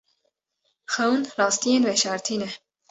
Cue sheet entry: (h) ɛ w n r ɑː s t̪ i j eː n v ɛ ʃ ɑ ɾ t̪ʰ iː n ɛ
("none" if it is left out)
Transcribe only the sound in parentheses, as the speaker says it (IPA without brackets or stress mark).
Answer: x